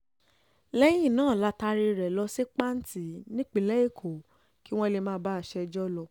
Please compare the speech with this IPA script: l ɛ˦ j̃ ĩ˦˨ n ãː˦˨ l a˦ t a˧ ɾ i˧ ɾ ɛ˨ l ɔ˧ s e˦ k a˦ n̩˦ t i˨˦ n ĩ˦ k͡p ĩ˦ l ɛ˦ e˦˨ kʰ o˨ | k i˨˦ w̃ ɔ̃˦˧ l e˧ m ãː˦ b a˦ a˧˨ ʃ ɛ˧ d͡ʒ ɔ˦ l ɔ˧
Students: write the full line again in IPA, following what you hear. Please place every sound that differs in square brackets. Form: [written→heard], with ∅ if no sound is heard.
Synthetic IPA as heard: l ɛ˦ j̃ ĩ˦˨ n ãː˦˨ l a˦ t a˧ ɾ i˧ ɾ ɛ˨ l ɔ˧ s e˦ [k→k͡p] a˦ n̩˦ t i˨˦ n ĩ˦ k͡p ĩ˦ l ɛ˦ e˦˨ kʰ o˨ | k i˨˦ w̃ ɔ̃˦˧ l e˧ m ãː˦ b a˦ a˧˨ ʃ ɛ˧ d͡ʒ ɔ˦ l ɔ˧